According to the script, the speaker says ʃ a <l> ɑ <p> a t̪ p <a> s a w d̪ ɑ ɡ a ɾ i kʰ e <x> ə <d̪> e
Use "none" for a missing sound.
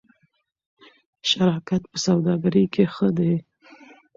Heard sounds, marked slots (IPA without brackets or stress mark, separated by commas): ɾ, k, ə, x, d̪